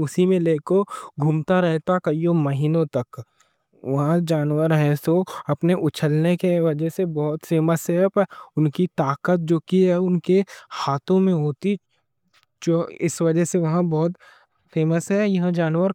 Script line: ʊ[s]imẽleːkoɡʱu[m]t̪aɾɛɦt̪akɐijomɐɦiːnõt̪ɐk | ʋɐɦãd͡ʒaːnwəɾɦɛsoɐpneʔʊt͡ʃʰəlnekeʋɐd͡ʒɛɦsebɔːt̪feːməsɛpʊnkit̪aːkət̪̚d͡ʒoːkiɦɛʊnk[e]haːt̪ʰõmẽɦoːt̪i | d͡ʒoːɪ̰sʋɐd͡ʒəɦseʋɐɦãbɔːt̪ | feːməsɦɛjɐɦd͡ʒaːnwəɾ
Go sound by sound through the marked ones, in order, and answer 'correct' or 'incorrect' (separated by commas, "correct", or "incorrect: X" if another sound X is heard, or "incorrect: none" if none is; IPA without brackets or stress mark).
correct, correct, correct